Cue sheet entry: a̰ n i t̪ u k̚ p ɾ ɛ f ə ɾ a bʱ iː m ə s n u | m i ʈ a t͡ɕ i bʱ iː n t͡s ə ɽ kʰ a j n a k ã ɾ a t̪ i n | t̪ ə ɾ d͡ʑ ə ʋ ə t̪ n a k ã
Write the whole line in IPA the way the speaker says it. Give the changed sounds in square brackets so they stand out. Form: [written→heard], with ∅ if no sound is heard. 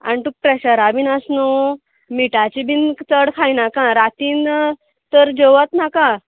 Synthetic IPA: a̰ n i t̪ u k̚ p ɾ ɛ [f→ɕ] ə ɾ a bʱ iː [m→n] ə s n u | m i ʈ a t͡ɕ i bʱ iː n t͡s ə ɽ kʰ a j n a k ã ɾ a t̪ i n | t̪ ə ɾ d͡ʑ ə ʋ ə t̪ n a k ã